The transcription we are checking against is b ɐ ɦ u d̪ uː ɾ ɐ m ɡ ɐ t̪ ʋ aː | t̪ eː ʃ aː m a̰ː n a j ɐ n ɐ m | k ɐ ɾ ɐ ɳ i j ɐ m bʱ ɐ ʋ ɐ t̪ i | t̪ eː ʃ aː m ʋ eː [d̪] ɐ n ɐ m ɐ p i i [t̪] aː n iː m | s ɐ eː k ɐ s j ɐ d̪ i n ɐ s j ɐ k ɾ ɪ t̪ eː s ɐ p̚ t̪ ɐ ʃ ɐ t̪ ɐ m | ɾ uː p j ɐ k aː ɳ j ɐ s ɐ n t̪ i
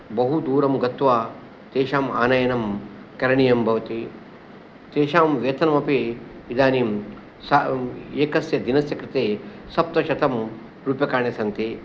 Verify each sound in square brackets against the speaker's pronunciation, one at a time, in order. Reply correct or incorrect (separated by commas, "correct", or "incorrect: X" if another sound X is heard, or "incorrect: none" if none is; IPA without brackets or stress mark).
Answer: incorrect: t̪, incorrect: d̪